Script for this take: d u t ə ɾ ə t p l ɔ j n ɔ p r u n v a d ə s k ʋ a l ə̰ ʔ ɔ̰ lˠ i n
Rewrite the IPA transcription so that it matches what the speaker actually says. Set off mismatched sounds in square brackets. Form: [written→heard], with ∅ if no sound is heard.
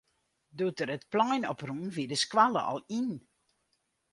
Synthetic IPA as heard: d u t ə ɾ ə t p l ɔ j n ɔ p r u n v [a→i] d ə s k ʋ a l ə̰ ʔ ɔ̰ lˠ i n